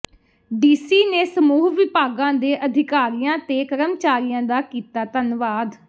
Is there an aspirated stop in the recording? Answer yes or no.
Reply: no